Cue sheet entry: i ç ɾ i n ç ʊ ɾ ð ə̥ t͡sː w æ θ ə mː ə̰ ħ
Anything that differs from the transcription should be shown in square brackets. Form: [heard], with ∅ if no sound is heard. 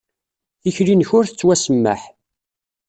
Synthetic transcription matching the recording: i ç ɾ i n ç ʊ ɾ [θ] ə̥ t͡sː w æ [s] ə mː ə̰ ħ